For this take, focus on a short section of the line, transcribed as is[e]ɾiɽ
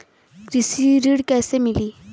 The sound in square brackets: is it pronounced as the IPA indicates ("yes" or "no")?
no